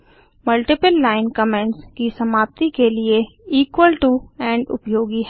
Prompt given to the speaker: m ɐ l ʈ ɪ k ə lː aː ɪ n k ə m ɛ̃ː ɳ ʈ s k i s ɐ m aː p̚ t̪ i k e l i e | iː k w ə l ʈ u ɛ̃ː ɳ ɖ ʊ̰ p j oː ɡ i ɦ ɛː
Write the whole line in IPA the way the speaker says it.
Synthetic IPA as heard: m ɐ l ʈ ɪ p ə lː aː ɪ n k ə m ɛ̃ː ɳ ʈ s k i s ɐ m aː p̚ t̪ i k e l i e | iː k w ə l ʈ u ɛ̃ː ɳ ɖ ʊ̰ p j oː ɡ i ɦ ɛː